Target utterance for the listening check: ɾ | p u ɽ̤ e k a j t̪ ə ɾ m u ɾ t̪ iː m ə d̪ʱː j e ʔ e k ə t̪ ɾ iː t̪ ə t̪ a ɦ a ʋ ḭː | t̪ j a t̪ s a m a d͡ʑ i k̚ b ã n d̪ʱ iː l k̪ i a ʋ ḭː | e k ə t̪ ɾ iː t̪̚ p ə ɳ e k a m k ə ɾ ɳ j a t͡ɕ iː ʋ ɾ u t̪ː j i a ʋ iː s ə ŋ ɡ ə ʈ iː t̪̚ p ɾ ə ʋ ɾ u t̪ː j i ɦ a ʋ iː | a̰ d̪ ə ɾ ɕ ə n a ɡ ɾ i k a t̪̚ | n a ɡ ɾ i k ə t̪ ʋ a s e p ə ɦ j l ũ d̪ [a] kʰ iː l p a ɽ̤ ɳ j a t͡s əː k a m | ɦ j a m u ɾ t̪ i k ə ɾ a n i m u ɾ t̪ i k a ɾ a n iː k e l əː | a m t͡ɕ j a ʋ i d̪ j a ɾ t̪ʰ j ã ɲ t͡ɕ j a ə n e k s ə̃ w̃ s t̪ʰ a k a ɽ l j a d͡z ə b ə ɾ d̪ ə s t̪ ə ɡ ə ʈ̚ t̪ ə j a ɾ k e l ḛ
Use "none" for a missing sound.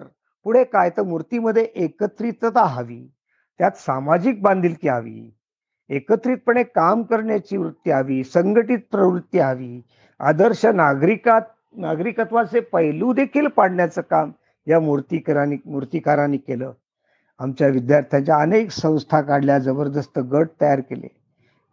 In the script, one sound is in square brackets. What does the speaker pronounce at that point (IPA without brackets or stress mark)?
e